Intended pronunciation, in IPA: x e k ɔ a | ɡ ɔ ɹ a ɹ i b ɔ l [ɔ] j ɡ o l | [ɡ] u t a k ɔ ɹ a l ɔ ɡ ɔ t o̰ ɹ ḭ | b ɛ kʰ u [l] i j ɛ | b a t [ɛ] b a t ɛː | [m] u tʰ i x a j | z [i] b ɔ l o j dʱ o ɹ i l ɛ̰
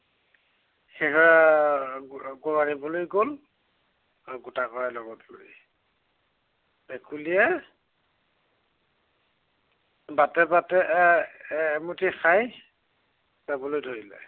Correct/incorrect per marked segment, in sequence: incorrect, correct, correct, correct, correct, incorrect

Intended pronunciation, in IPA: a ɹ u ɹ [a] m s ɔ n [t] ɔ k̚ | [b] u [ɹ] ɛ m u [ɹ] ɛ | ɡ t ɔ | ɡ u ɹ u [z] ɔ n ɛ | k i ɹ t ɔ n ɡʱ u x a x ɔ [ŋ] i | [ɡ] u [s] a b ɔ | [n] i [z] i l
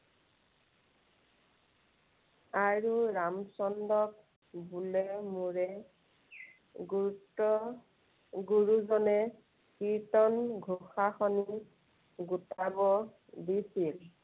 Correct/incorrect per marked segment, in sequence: correct, incorrect, correct, incorrect, correct, correct, incorrect, correct, incorrect, incorrect, incorrect

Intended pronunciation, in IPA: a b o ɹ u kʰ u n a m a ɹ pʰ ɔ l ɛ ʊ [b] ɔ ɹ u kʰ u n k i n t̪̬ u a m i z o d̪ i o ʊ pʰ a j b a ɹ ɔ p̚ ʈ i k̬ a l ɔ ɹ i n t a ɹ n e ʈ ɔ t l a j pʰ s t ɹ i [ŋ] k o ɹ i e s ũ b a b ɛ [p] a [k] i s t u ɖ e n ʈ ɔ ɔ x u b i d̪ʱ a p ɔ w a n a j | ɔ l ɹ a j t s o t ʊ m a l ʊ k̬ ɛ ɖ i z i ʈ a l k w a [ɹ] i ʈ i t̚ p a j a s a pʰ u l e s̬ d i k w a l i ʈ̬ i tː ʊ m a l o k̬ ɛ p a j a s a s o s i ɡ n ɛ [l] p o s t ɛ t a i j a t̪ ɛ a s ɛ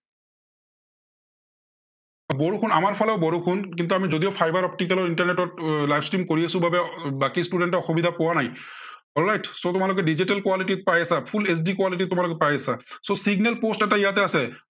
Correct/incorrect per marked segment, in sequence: correct, incorrect, incorrect, correct, incorrect, correct

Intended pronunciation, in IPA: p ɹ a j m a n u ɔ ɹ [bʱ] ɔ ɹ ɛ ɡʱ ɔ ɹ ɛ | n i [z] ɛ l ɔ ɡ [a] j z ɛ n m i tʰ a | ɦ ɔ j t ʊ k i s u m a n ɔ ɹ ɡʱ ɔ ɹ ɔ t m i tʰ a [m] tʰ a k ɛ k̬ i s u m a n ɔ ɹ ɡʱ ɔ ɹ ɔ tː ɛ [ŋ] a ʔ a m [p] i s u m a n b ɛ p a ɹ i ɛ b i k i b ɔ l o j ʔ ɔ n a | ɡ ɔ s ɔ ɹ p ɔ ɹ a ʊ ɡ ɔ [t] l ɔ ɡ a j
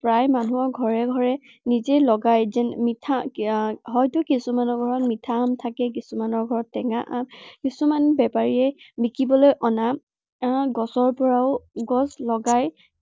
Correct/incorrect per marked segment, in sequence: incorrect, correct, correct, correct, correct, incorrect, incorrect

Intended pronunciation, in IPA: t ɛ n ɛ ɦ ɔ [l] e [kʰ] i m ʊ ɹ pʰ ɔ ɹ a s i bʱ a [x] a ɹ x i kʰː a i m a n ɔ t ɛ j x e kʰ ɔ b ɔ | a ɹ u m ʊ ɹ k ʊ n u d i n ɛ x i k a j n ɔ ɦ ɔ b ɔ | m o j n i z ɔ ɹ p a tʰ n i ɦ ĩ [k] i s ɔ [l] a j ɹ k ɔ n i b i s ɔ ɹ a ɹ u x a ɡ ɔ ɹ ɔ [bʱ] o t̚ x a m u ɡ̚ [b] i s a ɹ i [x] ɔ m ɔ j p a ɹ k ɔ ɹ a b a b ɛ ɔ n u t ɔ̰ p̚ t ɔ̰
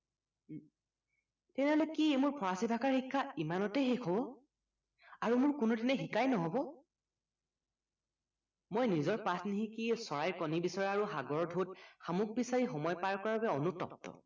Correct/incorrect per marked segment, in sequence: correct, incorrect, incorrect, correct, incorrect, incorrect, correct, correct

